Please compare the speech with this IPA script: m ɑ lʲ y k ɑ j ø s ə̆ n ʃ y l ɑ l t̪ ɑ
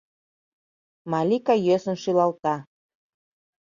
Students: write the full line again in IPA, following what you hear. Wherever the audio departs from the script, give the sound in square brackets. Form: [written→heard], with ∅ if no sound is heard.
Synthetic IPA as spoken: m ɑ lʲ [y→i] k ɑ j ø s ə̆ n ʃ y l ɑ l t̪ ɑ